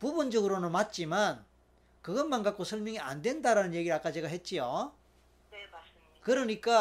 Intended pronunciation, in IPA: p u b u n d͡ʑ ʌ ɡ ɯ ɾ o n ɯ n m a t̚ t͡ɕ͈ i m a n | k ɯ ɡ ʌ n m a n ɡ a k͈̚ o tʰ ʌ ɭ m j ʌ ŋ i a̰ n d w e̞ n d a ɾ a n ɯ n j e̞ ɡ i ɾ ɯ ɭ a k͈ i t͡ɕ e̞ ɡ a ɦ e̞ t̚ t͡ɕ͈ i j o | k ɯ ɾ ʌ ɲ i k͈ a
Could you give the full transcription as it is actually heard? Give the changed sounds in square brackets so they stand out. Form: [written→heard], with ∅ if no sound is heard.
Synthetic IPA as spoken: p u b u n d͡ʑ ʌ ɡ ɯ ɾ o n ɯ n m a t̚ t͡ɕ͈ i m a n | k ɯ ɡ ʌ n m a n ɡ a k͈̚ o [tʰ→sʰ] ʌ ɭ m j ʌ ŋ i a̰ n d w e̞ n d a ɾ a n ɯ n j e̞ ɡ i ɾ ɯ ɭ a k͈ [i→a] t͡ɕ e̞ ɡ a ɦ e̞ t̚ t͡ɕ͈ i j o | k ɯ ɾ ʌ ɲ i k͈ a